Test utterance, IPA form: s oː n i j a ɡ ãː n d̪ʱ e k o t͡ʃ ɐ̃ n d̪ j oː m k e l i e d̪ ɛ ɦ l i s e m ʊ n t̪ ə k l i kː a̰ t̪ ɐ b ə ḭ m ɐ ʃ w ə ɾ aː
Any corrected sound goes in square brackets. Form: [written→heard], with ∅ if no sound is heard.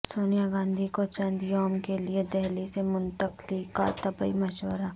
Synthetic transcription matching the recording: s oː n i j a ɡ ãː n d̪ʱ [e→i] k o t͡ʃ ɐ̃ n d̪ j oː m k e l i e d̪ ɛ ɦ l i s e m ʊ n t̪ ə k l i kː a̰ t̪ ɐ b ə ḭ m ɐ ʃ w ə ɾ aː

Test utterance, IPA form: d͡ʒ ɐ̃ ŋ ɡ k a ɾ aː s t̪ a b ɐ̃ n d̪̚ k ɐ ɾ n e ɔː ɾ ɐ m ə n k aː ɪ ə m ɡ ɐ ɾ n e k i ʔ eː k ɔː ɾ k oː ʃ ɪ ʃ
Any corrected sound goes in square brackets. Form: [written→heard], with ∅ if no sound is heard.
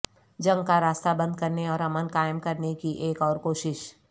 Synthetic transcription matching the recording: d͡ʒ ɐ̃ ŋ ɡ k a ɾ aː s t̪ a b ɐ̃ n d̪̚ k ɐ ɾ n e ɔː ɾ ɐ m ə n k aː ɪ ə m [ɡ→k] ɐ ɾ n e k i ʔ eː k ɔː ɾ k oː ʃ ɪ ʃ

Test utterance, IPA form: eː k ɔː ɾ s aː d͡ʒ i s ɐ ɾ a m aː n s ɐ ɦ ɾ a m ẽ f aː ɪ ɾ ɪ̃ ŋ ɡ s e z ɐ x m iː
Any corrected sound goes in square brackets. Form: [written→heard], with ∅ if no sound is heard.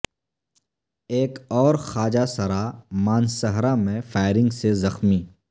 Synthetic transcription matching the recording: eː k ɔː ɾ [s→x] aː d͡ʒ [i→a] s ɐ ɾ a m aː n s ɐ ɦ ɾ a m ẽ f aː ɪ ɾ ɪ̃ ŋ ɡ s e z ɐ x m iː

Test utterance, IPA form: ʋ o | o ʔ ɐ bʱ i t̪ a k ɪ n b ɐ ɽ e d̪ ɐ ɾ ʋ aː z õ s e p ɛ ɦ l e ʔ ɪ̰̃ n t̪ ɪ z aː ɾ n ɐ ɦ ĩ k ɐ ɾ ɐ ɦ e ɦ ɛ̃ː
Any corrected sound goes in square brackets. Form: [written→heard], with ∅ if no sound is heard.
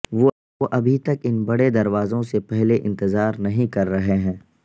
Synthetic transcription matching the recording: ʋ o | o ʔ ɐ bʱ i t̪ [a→ɐ] k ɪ n b ɐ ɽ e d̪ ɐ ɾ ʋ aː z õ s e p ɛ ɦ l e ʔ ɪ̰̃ n t̪ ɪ z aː ɾ n ɐ ɦ ĩ k ɐ [ɾ→ɾː] ɐ ɦ e ɦ ɛ̃ː

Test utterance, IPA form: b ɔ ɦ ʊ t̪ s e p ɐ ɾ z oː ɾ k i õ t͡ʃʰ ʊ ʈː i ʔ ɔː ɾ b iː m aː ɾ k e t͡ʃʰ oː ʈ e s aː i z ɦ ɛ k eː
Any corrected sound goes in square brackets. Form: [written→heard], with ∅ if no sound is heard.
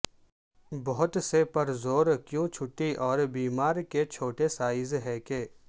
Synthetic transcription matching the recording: b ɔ ɦ ʊ t̪ s e p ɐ ɾ z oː ɾ k [i→j] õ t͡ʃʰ ʊ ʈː i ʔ ɔː ɾ b iː m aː ɾ k e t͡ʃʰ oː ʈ e s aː [i→ɪ] z ɦ ɛ k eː

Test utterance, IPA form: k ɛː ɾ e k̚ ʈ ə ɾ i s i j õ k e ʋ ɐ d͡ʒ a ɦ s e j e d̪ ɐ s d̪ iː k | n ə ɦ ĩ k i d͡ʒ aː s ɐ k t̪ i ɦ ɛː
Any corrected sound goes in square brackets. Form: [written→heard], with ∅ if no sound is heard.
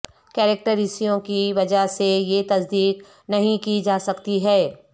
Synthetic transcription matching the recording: k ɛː ɾ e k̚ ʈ ə ɾ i s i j õ k [e→i] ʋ ɐ d͡ʒ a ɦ s e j e [d̪→t̪] ɐ s d̪ iː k | n [ə→ɐ] ɦ ĩ k i d͡ʒ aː s ɐ k t̪ i ɦ ɛː

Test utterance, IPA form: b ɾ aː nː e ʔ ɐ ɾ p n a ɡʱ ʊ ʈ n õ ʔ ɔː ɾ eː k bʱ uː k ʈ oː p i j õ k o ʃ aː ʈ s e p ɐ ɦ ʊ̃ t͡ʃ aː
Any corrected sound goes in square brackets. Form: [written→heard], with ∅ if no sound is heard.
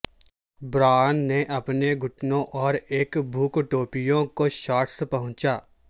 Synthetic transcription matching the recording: b ɾ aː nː e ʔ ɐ [ɾ→∅] p n [a→e] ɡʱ ʊ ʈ n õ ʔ ɔː ɾ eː k bʱ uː k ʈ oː p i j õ k o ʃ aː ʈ s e p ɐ ɦ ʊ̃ t͡ʃ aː

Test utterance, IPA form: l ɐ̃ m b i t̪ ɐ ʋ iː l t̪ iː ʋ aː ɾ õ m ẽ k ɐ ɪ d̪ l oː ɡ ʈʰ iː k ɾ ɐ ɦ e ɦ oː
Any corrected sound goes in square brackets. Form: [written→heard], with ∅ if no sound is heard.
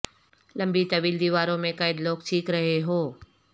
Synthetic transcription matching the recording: l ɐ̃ m b i t̪ ɐ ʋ iː l [t̪→d̪] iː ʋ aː ɾ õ m ẽ k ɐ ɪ d̪ l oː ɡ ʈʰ iː k ɾ ɐ ɦ e ɦ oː

